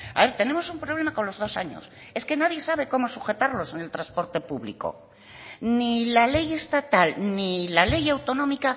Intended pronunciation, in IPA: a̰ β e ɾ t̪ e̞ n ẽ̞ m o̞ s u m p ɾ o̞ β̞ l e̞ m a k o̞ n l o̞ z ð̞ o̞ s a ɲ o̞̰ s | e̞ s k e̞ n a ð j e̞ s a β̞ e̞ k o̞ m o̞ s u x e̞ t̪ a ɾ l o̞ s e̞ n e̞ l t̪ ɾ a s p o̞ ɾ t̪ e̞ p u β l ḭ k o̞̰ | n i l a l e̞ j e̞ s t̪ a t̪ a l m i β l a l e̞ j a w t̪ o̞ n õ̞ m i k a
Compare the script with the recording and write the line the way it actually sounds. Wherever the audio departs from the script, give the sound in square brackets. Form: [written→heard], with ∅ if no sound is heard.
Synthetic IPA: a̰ β e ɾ t̪ e̞ n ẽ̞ m o̞ s u m p ɾ o̞ β̞ l e̞ m a k o̞ n l o̞ z ð̞ o̞ s a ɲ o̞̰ s | e̞ s k e̞ n a ð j e̞ s a β̞ e̞ k o̞ m o̞ s u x e̞ t̪ a ɾ l o̞ s e̞ n e̞ l t̪ ɾ a s p o̞ ɾ t̪ e̞ p u β l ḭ k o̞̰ | n i l a l e̞ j e̞ s t̪ a t̪ a l [m→n] i [β→∅] l a l e̞ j a w t̪ o̞ n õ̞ m i k a